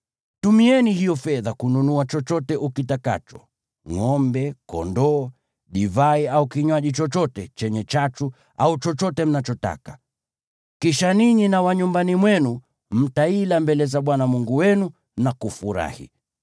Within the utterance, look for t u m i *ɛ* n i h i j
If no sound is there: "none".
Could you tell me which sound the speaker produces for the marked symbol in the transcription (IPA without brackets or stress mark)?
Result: ɛ